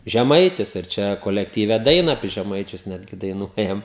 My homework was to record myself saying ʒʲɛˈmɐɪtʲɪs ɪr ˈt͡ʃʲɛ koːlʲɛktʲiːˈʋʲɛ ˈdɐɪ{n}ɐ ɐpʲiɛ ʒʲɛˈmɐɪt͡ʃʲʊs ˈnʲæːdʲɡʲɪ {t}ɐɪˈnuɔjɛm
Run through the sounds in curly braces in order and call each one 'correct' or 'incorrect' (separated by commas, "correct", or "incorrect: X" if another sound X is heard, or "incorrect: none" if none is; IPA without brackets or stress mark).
correct, incorrect: d